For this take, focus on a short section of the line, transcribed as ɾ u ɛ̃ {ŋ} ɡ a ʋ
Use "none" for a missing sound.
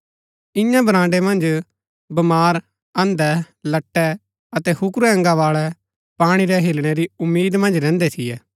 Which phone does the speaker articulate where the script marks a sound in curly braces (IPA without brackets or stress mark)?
ŋ